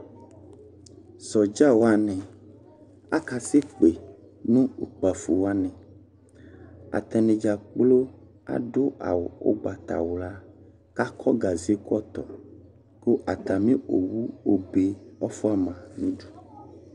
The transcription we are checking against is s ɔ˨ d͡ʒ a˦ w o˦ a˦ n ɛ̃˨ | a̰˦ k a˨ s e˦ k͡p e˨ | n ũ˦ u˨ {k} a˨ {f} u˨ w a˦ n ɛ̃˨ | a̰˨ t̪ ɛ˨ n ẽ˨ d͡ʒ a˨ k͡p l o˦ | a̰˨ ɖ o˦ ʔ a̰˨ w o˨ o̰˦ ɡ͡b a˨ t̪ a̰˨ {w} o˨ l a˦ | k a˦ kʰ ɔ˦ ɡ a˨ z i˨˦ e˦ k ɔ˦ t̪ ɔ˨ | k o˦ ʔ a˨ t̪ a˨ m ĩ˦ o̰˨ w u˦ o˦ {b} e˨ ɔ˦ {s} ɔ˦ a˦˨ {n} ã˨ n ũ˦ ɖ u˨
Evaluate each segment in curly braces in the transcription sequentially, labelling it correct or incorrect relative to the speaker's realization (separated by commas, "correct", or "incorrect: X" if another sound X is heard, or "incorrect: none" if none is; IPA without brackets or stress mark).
incorrect: k͡p, correct, correct, correct, incorrect: f, incorrect: m